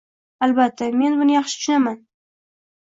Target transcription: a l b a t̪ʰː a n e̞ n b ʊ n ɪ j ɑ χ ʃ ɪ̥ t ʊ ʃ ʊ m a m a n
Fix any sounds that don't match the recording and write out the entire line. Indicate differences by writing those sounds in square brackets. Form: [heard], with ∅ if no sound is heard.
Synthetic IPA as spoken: a l b a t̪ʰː a [m] e̞ n b ʊ n ɪ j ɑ χ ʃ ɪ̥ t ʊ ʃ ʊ [n] a m a n